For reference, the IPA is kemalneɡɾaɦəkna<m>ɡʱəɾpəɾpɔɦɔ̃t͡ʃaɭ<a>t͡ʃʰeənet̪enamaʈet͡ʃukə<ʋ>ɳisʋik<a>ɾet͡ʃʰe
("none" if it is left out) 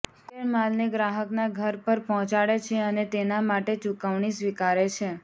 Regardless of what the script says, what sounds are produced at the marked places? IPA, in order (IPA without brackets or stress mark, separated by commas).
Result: none, e, ʋ, a